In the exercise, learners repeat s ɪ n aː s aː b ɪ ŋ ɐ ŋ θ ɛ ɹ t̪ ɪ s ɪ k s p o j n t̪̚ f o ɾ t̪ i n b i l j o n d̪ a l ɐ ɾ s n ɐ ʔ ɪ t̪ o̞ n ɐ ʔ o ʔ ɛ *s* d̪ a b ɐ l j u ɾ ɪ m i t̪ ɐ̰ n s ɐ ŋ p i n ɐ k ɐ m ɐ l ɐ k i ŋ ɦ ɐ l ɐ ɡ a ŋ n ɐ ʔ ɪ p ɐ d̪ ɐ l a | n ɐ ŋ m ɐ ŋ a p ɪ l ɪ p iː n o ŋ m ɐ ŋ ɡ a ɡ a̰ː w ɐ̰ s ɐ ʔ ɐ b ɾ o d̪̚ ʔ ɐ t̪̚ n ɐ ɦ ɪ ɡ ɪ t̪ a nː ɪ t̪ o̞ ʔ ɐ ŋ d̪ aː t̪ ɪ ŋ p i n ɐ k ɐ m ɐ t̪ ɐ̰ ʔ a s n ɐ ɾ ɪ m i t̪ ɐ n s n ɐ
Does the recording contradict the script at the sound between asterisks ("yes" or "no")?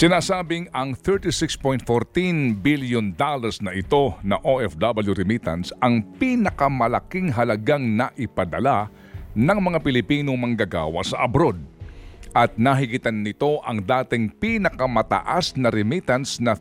yes